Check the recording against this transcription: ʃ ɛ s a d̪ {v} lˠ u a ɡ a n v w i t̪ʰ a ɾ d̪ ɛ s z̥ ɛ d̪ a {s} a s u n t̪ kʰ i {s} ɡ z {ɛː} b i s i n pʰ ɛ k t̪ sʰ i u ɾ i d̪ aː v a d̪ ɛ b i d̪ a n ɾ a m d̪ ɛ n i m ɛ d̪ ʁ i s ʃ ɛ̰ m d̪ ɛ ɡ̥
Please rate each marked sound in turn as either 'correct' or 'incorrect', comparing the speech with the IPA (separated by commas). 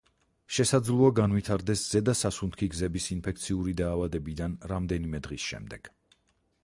incorrect, correct, incorrect, incorrect